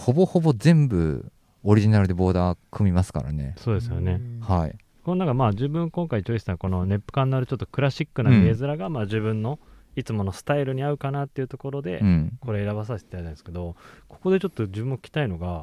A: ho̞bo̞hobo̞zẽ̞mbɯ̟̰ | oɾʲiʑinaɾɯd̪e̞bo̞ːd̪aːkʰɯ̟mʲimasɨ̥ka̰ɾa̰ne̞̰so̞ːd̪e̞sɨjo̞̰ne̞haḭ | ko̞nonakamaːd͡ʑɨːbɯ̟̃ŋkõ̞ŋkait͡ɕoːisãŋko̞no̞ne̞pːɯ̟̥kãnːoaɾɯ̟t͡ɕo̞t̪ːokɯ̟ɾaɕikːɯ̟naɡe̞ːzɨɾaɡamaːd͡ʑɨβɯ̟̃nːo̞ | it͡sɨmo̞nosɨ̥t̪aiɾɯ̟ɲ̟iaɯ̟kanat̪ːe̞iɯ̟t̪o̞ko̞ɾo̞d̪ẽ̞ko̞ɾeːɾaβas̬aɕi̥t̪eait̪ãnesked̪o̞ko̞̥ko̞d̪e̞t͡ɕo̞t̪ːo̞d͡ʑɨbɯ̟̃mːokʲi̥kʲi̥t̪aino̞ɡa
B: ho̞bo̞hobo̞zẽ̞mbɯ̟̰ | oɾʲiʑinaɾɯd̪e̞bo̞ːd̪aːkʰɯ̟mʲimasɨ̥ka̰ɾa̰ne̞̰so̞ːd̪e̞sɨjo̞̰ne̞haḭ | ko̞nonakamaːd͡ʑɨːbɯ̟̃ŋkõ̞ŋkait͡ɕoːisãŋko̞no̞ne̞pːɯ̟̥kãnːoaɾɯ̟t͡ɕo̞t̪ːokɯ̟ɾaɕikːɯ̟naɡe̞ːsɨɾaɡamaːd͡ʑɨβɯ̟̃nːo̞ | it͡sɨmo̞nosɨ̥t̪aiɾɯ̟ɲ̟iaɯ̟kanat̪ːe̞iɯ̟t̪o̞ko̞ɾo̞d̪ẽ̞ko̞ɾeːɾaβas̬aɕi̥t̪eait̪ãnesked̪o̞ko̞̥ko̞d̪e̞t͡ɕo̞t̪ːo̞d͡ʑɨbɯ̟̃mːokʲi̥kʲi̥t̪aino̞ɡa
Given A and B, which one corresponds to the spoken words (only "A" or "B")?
A